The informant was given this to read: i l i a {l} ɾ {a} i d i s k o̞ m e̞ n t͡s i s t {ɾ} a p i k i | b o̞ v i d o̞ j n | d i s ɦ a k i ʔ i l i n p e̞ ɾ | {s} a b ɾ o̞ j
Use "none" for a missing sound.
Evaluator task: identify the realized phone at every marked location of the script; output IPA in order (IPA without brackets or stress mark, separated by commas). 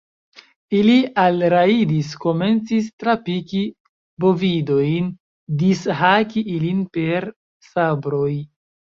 l, a, ɾ, s